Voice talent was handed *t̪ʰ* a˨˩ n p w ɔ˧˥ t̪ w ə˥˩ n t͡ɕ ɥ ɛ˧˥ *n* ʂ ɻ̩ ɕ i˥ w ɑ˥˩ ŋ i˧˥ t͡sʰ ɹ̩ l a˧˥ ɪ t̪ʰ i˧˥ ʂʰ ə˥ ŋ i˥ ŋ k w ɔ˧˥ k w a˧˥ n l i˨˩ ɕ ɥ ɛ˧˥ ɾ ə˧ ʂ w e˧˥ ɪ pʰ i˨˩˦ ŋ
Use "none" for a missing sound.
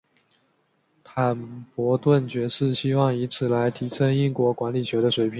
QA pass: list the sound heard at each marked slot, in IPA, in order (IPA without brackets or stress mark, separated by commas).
t̪ʰ, none